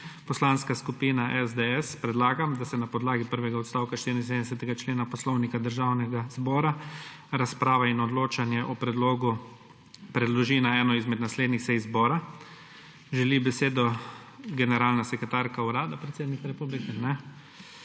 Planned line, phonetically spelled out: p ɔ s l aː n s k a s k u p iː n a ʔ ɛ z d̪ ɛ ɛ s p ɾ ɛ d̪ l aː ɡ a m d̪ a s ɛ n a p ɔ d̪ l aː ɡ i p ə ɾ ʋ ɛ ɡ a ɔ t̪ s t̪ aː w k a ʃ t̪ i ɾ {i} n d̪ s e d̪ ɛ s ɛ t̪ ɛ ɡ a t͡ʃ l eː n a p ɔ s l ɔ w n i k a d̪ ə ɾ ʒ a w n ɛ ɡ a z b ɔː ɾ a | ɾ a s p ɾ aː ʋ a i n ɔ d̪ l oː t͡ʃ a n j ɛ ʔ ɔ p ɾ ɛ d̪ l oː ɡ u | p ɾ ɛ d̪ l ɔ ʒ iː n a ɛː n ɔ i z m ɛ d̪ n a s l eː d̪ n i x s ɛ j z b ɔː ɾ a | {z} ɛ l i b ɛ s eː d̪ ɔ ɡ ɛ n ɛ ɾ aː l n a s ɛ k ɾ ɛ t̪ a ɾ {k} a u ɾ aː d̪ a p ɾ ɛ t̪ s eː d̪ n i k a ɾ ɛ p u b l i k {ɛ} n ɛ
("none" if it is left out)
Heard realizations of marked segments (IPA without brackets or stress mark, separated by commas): i, ʒ, k, ɛ